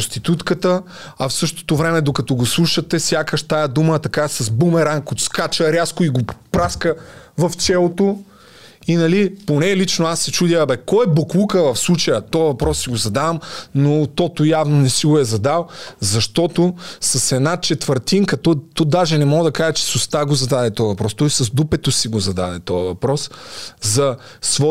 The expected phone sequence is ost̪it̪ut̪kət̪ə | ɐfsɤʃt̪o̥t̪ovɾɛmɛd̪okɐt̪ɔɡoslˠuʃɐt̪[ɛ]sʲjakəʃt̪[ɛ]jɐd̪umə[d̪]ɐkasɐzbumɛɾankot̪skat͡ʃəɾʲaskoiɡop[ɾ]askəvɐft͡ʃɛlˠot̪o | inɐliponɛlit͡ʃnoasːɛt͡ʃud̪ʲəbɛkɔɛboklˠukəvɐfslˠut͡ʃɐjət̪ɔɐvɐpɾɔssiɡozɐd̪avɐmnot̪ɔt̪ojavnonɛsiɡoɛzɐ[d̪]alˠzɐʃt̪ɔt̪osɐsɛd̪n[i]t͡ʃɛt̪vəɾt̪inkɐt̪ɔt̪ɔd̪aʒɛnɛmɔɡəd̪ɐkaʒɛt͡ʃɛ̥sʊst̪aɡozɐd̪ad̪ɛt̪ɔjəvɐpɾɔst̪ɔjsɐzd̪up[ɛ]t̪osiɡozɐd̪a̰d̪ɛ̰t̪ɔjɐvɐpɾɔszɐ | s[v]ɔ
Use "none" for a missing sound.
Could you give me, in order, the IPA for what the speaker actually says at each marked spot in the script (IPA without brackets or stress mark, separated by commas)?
ɛ, a, t̪, ɾ, d̪, a, ɛ, v